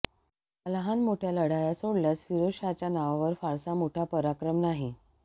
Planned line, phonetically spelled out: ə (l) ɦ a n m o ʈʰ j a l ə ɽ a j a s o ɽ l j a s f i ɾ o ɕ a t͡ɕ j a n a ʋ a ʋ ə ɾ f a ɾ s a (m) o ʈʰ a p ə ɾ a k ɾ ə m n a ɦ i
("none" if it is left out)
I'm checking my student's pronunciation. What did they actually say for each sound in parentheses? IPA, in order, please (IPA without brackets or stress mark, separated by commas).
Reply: l, m